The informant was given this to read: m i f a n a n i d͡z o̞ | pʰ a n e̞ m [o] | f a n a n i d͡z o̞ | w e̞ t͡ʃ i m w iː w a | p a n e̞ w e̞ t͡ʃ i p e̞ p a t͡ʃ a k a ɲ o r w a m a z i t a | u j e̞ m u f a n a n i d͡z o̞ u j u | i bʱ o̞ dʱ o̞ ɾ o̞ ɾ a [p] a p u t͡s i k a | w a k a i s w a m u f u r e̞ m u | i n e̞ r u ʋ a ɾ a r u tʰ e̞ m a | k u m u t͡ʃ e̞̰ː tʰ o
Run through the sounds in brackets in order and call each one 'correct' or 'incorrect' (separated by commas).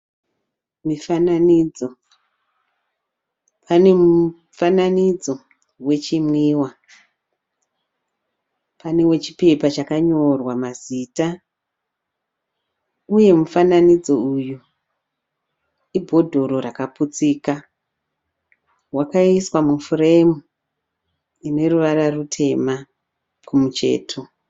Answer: incorrect, incorrect